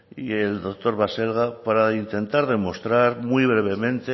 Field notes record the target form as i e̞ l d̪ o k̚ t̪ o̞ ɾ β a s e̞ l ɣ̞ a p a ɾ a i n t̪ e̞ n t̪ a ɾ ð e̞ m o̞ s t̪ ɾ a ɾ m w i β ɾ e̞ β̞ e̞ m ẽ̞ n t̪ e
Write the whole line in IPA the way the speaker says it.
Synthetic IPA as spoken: i e̞ l d̪ o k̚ t̪ o̞ ɾ β a s e̞ l ɣ̞ a p a ɾ a i n t̪ e̞ n t̪ a ɾ ð e̞ m o̞ s t̪ ɾ a ɾ m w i β ɾ e̞ β̞ e̞ m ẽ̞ n t̪ e

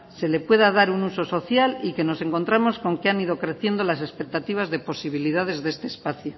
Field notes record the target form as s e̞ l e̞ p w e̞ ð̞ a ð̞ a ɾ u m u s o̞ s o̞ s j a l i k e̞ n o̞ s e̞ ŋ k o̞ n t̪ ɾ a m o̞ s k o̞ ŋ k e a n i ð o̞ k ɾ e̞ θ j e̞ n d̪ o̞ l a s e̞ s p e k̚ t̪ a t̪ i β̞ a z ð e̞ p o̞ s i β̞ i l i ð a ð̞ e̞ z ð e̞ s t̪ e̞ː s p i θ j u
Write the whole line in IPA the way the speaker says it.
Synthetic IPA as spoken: s e̞ l e̞ p w e̞ ð̞ a ð̞ a ɾ u n u s o̞ s o̞ θ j a l i k e̞ n o̞ s e̞ ŋ k o̞ n t̪ ɾ a m o̞ s k o̞ ŋ k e a n i ð o̞ k ɾ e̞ θ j e̞ n d̪ o̞ l a s e̞ s p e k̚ t̪ a t̪ i β̞ a z ð e̞ p o̞ s i β̞ i l i ð a ð̞ e̞ z ð e̞ s t̪ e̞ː s p a θ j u

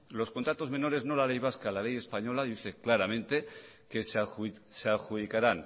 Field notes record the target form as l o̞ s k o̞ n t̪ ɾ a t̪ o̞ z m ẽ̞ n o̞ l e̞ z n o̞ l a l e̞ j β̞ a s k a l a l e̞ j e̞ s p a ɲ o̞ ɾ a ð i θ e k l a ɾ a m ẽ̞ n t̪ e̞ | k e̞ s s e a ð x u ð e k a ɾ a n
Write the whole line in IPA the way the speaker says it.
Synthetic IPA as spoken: l o̞ s k o̞ n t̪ ɾ a t̪ o̞ z m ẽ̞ n o̞ ɾ e̞ z n o̞ l a l e̞ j β̞ a s k a l a l e̞ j e̞ s p a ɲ o̞ l a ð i θ e k l a ɾ a m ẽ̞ n t̪ e̞ | k e̞ s s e a x u ð i k a ɾ a n

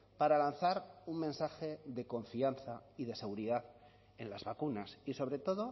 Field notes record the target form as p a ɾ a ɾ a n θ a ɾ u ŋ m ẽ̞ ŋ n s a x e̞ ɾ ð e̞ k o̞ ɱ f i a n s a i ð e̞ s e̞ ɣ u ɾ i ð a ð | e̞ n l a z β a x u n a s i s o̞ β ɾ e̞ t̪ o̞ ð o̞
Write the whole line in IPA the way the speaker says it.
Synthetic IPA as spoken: p a ɾ a l a n θ a ɾ u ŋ m ẽ̞ n s a x e̞ ð e̞ k o̞ ɱ f i a n θ a i ð e̞ s e̞ ɣ u ɾ i ð a ð | e̞ n l a z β a k u n a s i s o̞ β ɾ e̞ t̪ o̞ ð o̞

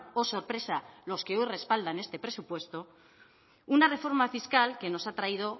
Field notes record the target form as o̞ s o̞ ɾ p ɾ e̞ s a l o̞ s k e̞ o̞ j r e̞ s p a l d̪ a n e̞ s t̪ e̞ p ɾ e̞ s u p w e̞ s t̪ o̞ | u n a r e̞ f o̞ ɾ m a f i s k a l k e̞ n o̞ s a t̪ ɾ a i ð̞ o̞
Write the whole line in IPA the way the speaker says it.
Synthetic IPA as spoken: o̞ s o̞ ɾ p ɾ e̞ s a l o̞ s k e̞ o̞ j r e̞ s p a l d̪ a n e̞ s t̪ e̞ p ɾ e̞ s u p w e̞ s t̪ o̞ | u n a r e̞ f o̞ ɾ m a f i s k a l k e̞ n o̞ s a t̪ ɾ a i ð̞ o̞

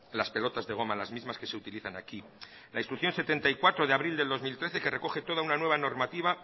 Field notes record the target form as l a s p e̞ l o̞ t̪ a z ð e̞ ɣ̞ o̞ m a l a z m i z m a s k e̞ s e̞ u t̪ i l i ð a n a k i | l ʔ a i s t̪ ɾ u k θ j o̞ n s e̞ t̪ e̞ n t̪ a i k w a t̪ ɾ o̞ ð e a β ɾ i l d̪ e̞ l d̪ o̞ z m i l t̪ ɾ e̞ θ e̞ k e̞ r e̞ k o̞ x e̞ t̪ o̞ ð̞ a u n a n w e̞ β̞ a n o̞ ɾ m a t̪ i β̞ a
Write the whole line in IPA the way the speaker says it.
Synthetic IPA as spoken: l a s p e̞ l o̞ t̪ a z ð e̞ ɣ̞ o̞ m a l a z m i z m a s k e̞ s e̞ u t̪ i l i θ a n a k i | l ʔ a i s t̪ ɾ u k θ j o̞ n s e̞ t̪ e̞ n t̪ a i k w a t̪ ɾ o̞ ð e a β ɾ i l d̪ e̞ l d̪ o̞ z m i l t̪ ɾ e̞ θ e̞ k e̞ r e̞ k o̞ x e̞ t̪ o̞ ð̞ a u n a n w e̞ β̞ a n o̞ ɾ m a t̪ i β̞ a

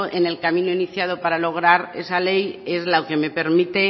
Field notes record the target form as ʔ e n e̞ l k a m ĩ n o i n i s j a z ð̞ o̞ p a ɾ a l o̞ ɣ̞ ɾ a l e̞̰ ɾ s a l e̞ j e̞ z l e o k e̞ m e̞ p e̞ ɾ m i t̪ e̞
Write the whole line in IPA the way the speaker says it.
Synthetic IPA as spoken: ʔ e n e̞ l k a m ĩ n o i n i θ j a ð̞ o̞ p a ɾ a l o̞ ɣ̞ ɾ a ɾ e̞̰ s a l e̞ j e̞ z l a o k e̞ m e̞ p e̞ ɾ m i t̪ e̞

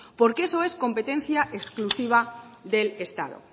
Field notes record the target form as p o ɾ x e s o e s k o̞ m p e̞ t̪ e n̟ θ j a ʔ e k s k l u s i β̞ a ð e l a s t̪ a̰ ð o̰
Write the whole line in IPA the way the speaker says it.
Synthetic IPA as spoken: p o ɾ k e s o e s k o̞ m p e̞ t̪ e n̟ θ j a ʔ e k s k l u s i β̞ a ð e l e s t̪ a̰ ð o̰

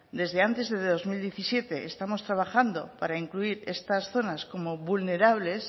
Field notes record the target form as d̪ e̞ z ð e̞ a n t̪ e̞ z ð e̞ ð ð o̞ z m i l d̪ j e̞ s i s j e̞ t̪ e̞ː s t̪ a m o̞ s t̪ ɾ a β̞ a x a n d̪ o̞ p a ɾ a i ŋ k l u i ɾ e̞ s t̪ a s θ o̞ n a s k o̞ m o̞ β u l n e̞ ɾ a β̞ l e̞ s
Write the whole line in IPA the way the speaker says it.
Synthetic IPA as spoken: d̪ e̞ z ð e̞ a n t̪ e̞ z ð e̞ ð ð o̞ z m i l d̪ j e̞ θ i s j e̞ t̪ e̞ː s t̪ a m o̞ s t̪ ɾ a β̞ a x a n d̪ o̞ p a ɾ a i ŋ k l u i ɾ e̞ s t̪ a s θ o̞ n a s k o̞ m o̞ β u l n e̞ ɾ a β̞ l e̞ s

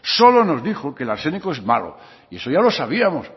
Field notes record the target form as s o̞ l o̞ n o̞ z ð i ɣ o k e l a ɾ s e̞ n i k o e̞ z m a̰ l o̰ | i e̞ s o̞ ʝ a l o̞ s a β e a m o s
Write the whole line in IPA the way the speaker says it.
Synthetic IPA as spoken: s o̞ l o̞ n o̞ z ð i x o k e l a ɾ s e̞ n i k o e̞ z m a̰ l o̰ | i e̞ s o̞ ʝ a l o̞ s a β i a m o s

